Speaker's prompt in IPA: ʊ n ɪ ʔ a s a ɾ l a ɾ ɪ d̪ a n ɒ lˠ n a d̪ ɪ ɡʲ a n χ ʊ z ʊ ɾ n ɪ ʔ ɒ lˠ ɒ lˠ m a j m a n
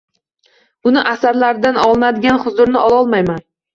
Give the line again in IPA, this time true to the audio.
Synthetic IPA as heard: ʊ n ɪ ʔ a s a ɾ l a ɾ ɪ d̪ a n ɒ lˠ n a d̪ ɪ ɡʲ a n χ ʊ z ʊ ɾ n ɪ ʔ ɒ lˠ ɒ lˠ m a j m a n